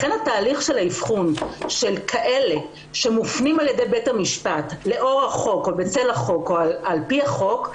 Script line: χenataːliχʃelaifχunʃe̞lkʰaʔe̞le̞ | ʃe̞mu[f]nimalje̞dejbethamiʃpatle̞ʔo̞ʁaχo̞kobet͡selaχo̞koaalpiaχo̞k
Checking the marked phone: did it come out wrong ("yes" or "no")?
no